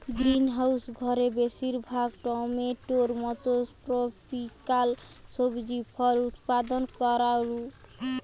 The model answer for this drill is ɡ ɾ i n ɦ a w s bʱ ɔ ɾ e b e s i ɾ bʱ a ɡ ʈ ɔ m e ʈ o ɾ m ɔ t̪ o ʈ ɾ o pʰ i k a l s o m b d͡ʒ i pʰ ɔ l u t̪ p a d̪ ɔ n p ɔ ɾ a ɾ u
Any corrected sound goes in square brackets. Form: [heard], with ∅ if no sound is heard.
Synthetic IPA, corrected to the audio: ɡ ɾ i n ɦ a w s [ɡʱ] ɔ ɾ e b e s i ɾ bʱ a ɡ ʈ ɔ m e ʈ o ɾ m ɔ t̪ o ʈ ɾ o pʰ i k a l s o [∅] b d͡ʒ i pʰ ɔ l u t̪ p a d̪ ɔ n [k] ɔ ɾ a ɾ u